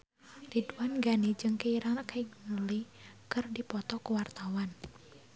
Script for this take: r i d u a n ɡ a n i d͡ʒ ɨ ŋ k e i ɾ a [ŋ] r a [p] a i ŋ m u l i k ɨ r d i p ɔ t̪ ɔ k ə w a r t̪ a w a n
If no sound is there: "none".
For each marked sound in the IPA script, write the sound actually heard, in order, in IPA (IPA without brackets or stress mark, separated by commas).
ŋ, k